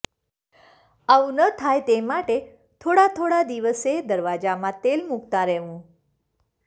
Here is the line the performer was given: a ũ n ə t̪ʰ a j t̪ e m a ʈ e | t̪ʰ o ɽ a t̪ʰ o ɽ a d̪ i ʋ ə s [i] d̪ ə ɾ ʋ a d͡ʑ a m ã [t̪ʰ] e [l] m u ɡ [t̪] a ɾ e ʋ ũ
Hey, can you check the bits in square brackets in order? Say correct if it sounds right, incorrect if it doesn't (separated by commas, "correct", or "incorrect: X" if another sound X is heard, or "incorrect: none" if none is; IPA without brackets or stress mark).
incorrect: e, incorrect: t̪, correct, correct